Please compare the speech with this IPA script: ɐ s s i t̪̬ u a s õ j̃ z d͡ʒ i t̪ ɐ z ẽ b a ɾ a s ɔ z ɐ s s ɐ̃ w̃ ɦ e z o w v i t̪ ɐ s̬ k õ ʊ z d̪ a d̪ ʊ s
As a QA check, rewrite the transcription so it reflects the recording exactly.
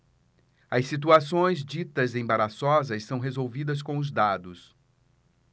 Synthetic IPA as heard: ɐ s s i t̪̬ u a s õ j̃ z d͡ʒ i t̪ ɐ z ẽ b a ɾ a s ɔ z ɐ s s ɐ̃ w̃ ɦ e z o w v i d̪ ɐ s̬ k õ ʊ z d̪ a d̪ ʊ s